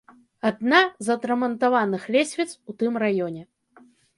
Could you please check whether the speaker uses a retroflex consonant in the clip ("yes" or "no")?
no